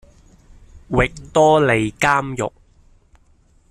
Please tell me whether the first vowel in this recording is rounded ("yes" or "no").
no